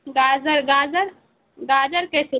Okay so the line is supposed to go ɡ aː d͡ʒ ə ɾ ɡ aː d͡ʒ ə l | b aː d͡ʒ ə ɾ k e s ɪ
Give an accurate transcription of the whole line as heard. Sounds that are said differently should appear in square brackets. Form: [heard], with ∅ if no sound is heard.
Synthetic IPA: ɡ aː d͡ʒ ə ɾ ɡ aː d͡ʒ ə [ɾ] | [ɡ] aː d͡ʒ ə ɾ k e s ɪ